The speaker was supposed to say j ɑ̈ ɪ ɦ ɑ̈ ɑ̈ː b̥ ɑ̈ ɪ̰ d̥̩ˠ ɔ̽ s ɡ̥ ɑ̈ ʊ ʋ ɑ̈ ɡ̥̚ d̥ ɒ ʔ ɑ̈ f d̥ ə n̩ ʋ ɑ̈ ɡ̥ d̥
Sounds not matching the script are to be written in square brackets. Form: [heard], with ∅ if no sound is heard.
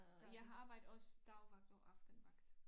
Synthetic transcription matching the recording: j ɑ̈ ɪ ɦ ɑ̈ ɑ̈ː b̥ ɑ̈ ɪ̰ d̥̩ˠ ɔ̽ s [d̥] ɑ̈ ʊ ʋ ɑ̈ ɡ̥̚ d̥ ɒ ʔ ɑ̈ f d̥ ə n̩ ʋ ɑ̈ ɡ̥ d̥